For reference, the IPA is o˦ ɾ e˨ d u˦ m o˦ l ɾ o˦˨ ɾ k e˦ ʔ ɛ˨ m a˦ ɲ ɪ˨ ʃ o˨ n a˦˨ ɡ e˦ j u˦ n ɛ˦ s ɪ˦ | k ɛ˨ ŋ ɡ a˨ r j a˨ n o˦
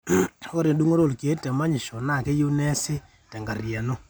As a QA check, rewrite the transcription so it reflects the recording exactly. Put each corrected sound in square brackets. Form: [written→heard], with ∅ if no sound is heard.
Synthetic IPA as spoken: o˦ ɾ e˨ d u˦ [m→ŋ] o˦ [l→∅] ɾ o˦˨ [ɾ→l] k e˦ [ʔ→t] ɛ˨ m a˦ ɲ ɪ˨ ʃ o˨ n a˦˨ [ɡ→k] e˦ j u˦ n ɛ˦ s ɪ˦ | [k→t] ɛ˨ ŋ ɡ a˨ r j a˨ n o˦